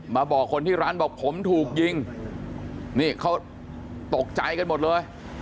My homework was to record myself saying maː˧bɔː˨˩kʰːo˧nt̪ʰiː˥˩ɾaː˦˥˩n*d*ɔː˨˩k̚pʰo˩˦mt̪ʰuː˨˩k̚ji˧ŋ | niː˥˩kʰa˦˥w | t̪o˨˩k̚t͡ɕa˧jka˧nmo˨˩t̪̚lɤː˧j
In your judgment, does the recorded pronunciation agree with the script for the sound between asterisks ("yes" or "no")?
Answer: no